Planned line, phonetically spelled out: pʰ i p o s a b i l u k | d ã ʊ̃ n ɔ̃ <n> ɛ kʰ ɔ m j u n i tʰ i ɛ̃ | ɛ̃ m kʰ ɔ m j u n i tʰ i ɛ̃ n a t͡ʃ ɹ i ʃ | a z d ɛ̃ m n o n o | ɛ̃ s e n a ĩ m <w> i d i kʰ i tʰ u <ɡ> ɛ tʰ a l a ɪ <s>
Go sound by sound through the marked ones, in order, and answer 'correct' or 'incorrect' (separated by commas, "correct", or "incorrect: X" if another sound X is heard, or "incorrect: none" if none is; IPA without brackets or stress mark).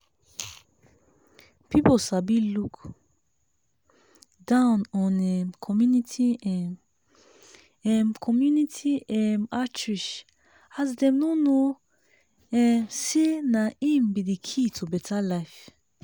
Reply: correct, incorrect: b, incorrect: b, incorrect: f